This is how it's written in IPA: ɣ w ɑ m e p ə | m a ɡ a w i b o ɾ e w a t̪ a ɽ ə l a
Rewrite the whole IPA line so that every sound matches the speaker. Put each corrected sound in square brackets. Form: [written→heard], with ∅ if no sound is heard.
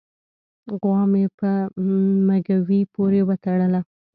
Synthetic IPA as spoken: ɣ w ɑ m e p ə | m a ɡ a w i [b→p] o ɾ e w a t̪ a ɽ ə l a

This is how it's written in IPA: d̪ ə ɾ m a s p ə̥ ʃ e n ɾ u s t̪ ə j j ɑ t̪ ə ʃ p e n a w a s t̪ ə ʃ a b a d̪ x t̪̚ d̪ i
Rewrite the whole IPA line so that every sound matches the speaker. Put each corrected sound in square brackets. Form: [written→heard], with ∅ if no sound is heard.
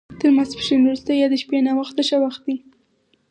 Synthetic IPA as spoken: [d̪→t̪] ə ɾ m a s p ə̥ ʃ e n ɾ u s t̪ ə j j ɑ [t̪→d̪] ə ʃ p e n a w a [s→x] t̪ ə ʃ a [b→w] a [d̪→∅] x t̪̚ d̪ i

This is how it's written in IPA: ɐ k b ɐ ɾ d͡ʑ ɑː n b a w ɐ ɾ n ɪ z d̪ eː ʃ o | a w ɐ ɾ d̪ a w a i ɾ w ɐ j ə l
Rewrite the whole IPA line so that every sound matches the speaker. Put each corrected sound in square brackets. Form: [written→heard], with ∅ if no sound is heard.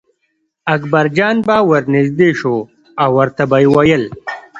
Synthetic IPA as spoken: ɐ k b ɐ ɾ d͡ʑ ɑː n b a w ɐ ɾ n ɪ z d̪ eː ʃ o | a w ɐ ɾ [d̪→t̪] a [w→b] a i [ɾ→∅] w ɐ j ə l

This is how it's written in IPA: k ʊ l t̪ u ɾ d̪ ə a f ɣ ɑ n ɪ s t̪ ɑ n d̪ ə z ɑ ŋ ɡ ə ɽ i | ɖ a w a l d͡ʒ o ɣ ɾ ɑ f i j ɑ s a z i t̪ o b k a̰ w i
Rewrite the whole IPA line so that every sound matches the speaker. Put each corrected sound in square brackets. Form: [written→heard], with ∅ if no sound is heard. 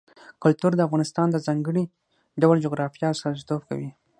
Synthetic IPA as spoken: k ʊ l t̪ u ɾ d̪ ə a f ɣ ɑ n ɪ s t̪ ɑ n d̪ ə z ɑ ŋ ɡ ə ɽ i | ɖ a w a l d͡ʒ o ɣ ɾ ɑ f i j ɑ s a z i t̪ o b k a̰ w i

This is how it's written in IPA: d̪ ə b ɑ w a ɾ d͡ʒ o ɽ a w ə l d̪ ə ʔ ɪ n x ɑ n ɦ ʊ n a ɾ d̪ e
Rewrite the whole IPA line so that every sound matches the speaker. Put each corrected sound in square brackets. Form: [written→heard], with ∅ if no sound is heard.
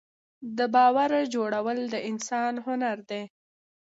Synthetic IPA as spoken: d̪ ə b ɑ w a ɾ d͡ʒ o ɽ a w ə l d̪ ə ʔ ɪ n [x→s] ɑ n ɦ ʊ n a ɾ d̪ e

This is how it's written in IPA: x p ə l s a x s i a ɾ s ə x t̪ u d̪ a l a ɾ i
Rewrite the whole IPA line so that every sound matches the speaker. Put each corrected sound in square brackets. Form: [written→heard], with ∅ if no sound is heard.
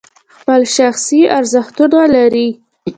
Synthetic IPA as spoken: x p ə l [s→ʃ] a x s i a ɾ [s→z] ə x t̪ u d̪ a l a ɾ i

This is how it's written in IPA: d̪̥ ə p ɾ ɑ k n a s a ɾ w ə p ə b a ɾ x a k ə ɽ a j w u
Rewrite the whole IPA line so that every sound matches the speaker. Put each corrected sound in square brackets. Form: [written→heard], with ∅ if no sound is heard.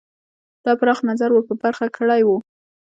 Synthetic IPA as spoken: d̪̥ [ə→ɑ] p ɾ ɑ [k→x] n a [s→z] a ɾ w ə p ə b a ɾ x a k ə ɽ a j w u

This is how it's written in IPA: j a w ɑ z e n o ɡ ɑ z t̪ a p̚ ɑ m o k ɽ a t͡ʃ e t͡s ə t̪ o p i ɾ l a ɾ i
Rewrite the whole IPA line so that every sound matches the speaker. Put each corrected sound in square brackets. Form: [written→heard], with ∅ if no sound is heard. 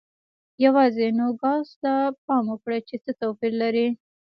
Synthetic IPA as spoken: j a w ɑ z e n o ɡ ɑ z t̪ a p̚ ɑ m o k ɽ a t͡ʃ e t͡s ə t̪ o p i ɾ l a ɾ i

